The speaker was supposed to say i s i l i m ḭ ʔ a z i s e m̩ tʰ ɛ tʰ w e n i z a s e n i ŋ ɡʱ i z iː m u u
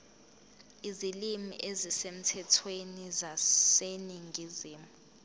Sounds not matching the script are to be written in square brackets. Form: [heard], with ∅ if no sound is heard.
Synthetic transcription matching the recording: i [z] i l i m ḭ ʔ [e] z i s e m̩ tʰ ɛ tʰ w e n i z a s e n i ŋ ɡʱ i z iː m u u